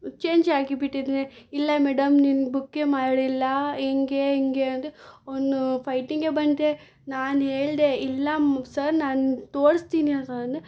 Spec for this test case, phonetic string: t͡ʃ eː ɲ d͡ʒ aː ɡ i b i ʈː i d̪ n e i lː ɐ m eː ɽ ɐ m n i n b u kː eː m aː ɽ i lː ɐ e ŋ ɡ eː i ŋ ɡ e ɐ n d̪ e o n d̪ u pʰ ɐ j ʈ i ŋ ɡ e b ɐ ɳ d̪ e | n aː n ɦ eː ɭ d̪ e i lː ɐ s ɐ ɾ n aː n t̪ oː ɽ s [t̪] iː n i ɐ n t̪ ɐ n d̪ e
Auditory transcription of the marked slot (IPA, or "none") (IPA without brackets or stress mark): t̪